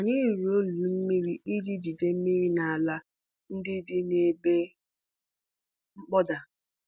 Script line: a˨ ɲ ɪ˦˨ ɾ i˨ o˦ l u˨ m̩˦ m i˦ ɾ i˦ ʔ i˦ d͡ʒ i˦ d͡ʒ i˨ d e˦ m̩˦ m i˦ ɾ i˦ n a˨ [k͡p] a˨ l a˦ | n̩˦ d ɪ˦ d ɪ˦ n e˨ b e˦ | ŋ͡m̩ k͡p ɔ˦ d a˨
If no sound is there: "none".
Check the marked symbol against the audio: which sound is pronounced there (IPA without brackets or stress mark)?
none